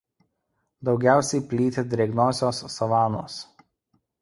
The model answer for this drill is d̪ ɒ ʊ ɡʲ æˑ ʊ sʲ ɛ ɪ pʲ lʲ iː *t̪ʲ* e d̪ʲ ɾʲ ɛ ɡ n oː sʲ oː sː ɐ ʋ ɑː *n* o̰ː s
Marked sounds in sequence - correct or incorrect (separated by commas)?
correct, correct